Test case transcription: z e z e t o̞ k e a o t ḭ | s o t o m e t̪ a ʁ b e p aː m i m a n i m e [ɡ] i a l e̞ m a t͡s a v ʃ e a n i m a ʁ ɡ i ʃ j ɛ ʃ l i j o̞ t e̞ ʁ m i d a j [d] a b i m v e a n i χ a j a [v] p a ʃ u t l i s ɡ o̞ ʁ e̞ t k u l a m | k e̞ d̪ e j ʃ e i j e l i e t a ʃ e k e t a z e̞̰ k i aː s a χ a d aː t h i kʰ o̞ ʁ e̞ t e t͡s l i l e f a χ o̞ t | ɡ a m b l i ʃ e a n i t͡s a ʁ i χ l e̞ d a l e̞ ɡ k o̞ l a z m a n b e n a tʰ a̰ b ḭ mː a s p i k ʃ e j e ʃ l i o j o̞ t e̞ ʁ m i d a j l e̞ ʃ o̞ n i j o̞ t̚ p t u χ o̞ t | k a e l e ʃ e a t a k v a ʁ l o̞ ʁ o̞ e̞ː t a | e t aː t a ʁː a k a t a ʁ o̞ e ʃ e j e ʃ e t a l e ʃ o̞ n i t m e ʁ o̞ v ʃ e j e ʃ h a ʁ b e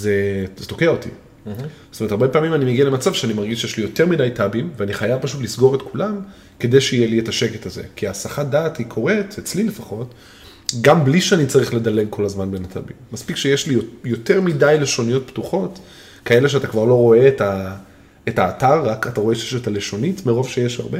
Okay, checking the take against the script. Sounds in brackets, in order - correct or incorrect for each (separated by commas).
correct, incorrect, correct